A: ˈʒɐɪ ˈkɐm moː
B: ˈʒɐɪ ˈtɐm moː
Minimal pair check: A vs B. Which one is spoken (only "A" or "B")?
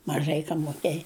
A